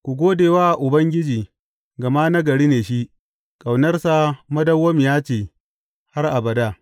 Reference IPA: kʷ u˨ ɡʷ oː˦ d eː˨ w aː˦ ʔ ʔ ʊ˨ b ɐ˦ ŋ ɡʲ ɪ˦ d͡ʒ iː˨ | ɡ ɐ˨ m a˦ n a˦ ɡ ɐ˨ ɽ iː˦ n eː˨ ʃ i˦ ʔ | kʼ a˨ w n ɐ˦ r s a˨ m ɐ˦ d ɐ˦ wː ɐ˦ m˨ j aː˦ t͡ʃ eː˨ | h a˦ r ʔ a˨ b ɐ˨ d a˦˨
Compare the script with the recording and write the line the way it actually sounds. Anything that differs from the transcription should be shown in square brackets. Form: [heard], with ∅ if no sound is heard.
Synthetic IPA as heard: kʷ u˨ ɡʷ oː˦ d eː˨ w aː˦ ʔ ʔ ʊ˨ b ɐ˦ ŋ ɡʲ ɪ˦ d͡ʒ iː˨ | ɡ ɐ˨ m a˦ n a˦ ɡ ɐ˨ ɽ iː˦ n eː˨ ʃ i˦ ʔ | kʼ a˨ w n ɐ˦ r s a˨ m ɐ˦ d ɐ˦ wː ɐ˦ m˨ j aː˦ t͡ʃ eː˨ | h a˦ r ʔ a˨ b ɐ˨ d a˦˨